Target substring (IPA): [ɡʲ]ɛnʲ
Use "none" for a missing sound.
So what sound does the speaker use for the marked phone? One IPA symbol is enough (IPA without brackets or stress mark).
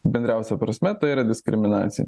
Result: bʲ